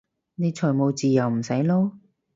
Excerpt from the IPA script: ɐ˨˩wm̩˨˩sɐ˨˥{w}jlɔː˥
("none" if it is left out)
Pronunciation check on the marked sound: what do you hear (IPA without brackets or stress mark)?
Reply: none